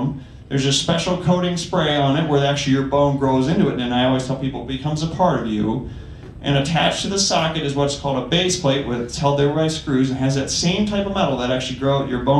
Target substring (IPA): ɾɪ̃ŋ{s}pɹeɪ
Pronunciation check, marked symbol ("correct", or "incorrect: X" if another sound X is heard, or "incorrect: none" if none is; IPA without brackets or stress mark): correct